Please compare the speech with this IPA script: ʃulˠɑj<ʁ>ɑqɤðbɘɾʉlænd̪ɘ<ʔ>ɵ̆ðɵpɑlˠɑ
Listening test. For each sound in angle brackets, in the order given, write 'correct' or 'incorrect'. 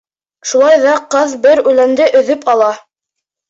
incorrect: ð, correct

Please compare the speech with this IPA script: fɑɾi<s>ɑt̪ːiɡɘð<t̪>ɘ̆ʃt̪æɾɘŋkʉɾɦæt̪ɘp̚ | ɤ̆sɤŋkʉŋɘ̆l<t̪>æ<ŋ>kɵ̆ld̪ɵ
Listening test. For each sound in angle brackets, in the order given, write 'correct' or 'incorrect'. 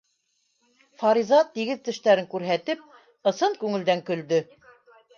incorrect: z, correct, incorrect: d̪, correct

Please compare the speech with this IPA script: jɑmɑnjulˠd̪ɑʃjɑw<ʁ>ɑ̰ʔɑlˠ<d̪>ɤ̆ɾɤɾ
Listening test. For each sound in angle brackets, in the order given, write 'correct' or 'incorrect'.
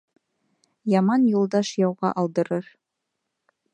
correct, correct

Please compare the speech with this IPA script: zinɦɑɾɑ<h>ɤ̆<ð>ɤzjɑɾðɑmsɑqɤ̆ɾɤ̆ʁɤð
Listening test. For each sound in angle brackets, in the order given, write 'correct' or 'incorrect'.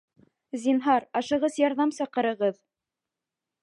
incorrect: ʃ, incorrect: ʁ

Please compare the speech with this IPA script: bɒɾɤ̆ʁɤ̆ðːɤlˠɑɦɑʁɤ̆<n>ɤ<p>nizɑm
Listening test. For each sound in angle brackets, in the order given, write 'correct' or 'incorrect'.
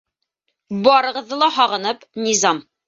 correct, correct

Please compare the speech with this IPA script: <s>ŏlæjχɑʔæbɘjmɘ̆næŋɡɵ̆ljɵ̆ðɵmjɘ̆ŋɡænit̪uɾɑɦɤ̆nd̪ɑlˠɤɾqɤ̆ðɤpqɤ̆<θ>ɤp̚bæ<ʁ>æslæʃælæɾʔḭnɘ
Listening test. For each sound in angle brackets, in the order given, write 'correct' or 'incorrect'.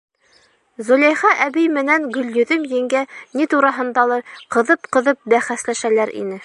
incorrect: z, incorrect: ð, incorrect: χ

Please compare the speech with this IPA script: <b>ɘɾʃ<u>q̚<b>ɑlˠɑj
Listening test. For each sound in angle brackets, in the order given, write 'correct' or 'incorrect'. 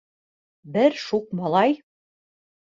correct, correct, incorrect: m

